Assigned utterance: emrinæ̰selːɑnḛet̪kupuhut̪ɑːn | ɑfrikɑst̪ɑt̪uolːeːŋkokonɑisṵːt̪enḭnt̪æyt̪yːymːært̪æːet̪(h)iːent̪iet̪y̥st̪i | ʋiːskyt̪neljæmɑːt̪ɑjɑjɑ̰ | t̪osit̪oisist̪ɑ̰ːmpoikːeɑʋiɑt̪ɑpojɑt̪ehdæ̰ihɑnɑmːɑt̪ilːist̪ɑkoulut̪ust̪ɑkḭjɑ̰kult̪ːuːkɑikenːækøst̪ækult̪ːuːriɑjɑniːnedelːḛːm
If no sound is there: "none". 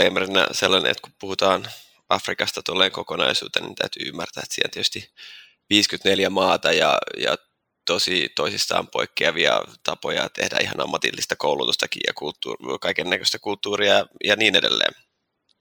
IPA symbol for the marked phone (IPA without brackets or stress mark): s